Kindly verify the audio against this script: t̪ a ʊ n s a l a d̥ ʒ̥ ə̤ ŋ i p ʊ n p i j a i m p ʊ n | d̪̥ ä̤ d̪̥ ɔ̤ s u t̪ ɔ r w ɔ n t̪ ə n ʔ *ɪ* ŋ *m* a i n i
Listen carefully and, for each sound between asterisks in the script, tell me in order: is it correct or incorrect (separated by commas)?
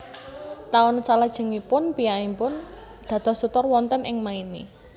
correct, correct